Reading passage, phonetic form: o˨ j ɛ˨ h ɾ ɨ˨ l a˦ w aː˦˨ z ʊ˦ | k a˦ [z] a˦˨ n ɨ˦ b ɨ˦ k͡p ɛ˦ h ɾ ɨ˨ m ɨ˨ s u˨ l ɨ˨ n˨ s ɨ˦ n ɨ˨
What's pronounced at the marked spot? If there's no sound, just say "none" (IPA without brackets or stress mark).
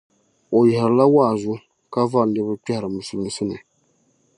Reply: v